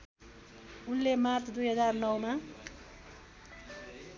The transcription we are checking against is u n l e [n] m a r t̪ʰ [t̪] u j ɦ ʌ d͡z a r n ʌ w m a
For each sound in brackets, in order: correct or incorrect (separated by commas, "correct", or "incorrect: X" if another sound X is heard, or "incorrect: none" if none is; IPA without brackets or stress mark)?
incorrect: none, incorrect: d̪